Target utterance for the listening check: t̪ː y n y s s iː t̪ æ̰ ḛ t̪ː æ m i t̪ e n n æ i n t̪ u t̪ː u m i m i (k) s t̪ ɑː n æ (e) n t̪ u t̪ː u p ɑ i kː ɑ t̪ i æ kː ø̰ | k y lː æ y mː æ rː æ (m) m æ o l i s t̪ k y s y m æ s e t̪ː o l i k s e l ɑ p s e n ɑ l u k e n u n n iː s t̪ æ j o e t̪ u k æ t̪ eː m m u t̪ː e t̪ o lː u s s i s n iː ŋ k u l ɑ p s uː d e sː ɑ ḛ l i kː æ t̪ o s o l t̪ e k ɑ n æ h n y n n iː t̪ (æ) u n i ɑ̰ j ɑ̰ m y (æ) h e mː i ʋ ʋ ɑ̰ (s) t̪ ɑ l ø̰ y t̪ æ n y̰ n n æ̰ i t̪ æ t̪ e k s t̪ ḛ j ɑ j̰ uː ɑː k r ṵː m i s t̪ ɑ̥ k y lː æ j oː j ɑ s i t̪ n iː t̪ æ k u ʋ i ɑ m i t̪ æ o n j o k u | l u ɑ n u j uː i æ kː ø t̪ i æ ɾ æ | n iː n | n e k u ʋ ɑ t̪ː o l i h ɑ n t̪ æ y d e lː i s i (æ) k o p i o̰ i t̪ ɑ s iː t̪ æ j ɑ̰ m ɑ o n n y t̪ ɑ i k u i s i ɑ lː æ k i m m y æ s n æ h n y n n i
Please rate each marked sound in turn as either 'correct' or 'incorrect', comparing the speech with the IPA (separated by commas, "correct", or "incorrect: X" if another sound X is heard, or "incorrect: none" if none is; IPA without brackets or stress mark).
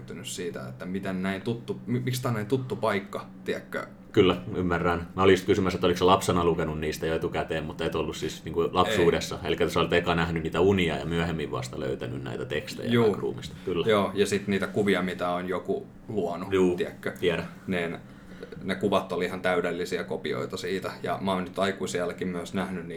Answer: correct, incorrect: i, incorrect: n, correct, correct, correct, correct